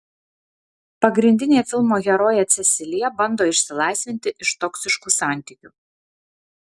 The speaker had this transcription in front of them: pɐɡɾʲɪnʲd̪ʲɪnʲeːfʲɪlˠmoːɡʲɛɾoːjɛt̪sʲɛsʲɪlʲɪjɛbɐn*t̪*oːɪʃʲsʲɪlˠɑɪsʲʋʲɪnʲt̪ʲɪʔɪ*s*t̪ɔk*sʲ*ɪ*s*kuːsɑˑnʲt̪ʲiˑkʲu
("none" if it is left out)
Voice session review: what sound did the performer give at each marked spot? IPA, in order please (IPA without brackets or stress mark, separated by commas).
d̪, ʃ, sʲ, ʃ